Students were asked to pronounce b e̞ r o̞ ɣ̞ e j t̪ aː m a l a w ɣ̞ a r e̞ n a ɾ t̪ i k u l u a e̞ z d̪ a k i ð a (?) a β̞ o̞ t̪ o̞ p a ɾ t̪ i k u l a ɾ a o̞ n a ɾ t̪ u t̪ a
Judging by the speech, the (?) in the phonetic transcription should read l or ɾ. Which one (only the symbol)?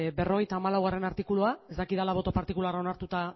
l